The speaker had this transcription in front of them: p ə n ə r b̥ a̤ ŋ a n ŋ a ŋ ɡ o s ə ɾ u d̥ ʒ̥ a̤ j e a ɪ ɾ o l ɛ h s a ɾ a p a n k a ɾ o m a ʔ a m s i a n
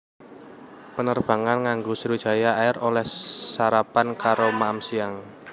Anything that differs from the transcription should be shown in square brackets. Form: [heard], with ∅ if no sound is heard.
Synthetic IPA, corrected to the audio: p ə n ə r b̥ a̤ ŋ a n ŋ a ŋ ɡ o s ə ɾ u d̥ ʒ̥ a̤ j [a] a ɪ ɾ o l ɛ h s a ɾ a p a n k a ɾ o m a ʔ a m s i a [ŋ]